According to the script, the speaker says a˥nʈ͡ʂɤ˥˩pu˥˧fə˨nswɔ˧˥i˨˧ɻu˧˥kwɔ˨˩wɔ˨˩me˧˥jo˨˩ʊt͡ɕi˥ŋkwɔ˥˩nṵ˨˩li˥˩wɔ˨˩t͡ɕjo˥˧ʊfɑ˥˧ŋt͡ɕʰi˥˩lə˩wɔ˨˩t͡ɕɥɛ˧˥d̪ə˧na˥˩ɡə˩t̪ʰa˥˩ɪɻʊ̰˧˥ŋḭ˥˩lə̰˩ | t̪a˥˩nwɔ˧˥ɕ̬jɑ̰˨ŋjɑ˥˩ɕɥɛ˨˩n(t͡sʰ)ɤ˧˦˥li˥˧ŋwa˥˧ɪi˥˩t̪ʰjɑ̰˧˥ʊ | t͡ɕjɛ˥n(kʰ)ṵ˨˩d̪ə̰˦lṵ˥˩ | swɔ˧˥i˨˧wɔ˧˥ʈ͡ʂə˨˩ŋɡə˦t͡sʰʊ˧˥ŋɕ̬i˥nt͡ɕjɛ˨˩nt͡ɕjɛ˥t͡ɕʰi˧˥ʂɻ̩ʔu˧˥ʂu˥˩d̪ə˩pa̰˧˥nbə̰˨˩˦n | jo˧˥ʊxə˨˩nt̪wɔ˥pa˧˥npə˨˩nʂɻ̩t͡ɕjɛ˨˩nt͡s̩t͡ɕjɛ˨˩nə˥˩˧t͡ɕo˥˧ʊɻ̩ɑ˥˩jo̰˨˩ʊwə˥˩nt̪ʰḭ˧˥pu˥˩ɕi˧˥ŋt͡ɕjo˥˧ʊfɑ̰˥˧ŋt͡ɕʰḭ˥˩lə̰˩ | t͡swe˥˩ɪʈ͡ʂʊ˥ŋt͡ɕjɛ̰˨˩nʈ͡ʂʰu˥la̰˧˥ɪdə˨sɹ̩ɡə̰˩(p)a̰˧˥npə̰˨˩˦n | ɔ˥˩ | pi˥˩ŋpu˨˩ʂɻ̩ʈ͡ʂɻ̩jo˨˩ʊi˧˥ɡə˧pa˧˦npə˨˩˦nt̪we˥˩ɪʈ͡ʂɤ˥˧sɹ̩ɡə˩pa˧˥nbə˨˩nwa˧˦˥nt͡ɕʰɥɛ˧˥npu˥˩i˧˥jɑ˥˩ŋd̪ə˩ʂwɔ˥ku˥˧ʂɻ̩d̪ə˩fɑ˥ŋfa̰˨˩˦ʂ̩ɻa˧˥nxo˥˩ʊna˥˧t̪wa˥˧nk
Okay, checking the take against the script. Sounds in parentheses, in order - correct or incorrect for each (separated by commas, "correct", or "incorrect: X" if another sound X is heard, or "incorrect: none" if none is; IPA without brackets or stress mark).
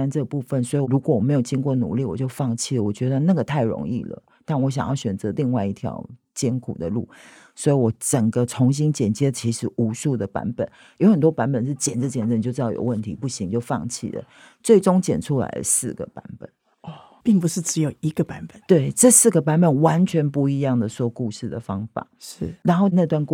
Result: incorrect: t͡s, correct, correct